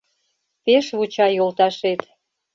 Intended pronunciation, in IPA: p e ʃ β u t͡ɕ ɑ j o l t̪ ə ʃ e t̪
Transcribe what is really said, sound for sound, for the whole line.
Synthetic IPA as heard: p e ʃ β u t͡ɕ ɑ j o l t̪ ɑ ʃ e t̪